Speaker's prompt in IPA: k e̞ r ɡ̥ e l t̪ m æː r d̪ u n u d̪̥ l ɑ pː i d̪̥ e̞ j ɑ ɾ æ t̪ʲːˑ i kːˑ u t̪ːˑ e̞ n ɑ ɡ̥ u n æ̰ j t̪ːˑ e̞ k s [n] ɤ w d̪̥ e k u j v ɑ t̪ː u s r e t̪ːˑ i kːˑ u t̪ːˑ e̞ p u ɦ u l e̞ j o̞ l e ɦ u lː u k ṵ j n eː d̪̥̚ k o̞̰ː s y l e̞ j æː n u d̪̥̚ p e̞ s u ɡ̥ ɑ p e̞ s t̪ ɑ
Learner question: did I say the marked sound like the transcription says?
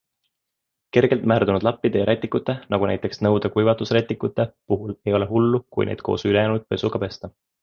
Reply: yes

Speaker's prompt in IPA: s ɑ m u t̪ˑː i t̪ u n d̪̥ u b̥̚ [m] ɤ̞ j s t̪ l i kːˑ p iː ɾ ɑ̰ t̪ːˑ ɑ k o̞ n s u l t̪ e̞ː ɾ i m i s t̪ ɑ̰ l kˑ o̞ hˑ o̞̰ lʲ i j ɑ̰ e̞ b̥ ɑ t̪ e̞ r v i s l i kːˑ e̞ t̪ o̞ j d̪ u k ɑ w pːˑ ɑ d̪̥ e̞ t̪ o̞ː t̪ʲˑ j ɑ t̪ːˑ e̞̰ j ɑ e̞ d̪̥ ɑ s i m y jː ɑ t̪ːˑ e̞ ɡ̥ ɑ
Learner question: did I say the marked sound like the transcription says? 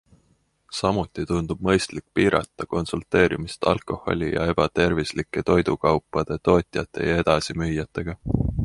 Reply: yes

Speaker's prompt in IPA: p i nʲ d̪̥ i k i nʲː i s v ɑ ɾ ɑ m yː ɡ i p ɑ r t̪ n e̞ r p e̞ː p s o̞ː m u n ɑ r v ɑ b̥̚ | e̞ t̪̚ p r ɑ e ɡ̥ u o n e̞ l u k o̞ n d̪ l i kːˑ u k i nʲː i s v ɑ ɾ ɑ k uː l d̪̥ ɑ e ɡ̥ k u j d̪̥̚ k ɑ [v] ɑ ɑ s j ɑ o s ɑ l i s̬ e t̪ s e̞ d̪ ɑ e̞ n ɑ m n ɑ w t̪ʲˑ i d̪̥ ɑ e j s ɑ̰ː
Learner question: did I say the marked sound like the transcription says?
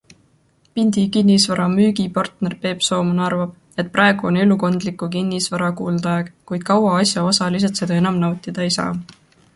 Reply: no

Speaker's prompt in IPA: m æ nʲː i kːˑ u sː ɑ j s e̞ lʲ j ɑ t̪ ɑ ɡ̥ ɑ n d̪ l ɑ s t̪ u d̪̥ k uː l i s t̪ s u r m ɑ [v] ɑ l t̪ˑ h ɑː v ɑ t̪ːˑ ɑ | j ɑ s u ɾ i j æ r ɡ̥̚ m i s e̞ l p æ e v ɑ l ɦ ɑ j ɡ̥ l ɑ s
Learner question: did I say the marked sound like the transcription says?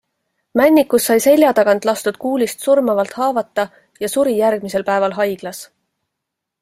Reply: yes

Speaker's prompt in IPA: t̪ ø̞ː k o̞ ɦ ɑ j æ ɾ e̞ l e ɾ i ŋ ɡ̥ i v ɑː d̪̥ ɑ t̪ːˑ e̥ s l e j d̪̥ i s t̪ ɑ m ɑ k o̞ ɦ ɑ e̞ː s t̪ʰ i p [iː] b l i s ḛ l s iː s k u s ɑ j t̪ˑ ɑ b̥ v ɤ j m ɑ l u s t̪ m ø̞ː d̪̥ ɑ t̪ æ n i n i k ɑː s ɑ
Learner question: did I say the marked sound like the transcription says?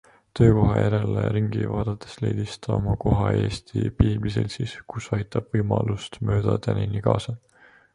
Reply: yes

